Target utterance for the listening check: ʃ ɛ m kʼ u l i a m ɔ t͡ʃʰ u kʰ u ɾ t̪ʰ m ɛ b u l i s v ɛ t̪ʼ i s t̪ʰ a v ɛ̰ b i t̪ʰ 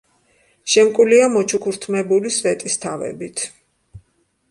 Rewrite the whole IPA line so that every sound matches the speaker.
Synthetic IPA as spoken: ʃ ɛ m kʼ u l i a m ɔ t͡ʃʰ u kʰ u ɾ t̪ʰ m ɛ b u l i s v ɛ t̪ʼ i s t̪ʰ a v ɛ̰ b i t̪ʰ